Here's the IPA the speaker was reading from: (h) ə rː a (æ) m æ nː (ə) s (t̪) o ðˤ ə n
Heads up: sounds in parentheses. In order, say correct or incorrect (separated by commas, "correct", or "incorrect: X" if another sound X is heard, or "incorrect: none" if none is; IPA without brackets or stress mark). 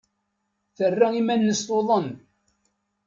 incorrect: θ, incorrect: i, correct, correct